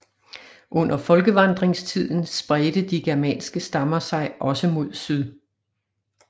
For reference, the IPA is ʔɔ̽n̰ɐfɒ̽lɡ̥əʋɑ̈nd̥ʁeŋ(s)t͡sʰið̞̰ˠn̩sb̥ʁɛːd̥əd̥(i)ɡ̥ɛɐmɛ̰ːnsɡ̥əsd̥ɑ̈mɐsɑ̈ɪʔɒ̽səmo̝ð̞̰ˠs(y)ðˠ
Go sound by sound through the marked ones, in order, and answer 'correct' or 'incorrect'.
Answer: correct, correct, correct

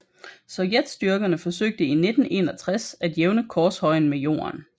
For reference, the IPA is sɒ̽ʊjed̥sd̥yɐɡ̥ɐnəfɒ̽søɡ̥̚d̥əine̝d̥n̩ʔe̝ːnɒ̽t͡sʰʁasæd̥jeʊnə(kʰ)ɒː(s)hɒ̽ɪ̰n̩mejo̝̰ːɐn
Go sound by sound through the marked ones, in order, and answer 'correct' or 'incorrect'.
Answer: correct, correct

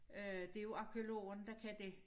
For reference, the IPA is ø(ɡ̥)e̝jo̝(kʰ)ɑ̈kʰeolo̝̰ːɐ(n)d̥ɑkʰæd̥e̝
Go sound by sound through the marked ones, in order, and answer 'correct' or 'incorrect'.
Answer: incorrect, incorrect, correct

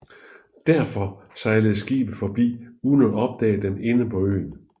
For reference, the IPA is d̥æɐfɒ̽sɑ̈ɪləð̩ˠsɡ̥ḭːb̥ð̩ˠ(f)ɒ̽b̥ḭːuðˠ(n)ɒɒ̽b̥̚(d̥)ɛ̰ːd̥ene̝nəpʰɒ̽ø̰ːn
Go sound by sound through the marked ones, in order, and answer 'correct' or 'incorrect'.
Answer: correct, correct, correct

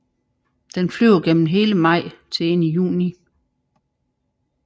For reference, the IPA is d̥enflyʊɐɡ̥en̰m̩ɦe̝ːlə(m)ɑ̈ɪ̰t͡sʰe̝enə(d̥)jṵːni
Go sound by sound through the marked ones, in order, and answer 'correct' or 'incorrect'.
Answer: correct, incorrect

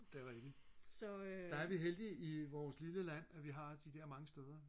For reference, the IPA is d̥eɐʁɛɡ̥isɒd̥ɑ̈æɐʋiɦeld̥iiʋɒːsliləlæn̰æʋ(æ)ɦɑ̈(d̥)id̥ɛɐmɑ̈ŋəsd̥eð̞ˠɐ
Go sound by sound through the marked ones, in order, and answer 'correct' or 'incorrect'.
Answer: incorrect, correct

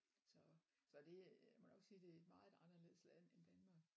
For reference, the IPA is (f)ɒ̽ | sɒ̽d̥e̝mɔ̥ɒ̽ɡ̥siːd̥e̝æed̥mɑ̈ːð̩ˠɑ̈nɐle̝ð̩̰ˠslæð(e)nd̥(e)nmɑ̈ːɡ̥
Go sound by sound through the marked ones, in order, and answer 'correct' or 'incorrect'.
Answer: incorrect, correct, incorrect

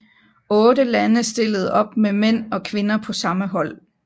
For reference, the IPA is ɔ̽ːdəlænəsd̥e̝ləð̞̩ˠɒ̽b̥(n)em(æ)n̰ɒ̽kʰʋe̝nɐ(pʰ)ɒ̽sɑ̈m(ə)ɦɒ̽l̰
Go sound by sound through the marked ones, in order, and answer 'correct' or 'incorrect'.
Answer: incorrect, incorrect, correct, correct

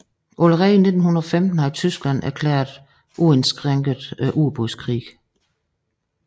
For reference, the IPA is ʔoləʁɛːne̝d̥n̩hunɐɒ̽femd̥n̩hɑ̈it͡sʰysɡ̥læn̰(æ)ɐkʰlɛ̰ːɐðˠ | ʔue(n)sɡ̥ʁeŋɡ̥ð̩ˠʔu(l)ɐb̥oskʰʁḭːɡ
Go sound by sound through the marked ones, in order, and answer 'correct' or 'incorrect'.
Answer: correct, correct, incorrect

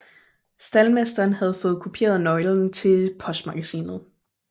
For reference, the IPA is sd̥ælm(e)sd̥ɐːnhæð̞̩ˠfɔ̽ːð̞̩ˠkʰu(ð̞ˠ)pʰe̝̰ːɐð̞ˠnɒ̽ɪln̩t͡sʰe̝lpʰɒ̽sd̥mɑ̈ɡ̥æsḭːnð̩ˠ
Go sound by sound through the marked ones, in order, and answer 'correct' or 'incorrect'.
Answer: correct, incorrect

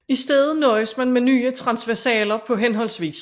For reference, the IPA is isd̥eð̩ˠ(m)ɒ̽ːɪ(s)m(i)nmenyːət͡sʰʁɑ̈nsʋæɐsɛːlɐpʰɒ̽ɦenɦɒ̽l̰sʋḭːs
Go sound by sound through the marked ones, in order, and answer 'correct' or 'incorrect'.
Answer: incorrect, correct, incorrect

